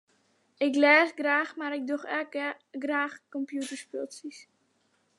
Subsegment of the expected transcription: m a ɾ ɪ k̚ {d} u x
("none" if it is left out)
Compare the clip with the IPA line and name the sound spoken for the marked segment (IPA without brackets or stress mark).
d